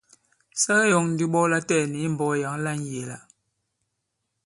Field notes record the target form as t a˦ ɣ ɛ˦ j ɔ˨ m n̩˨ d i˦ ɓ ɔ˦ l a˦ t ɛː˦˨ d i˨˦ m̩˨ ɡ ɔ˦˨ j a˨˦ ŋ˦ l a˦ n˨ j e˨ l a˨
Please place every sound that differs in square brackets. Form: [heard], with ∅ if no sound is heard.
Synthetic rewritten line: [s] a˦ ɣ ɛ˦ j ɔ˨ [ŋ] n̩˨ d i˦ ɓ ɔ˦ l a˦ t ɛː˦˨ [n] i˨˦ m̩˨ [b] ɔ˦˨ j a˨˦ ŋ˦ l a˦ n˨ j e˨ l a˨